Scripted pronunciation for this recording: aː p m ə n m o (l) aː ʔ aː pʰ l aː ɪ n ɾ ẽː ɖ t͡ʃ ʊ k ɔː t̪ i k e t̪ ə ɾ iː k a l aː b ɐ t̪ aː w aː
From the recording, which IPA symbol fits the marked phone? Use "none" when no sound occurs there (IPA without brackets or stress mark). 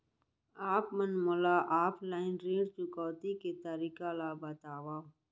l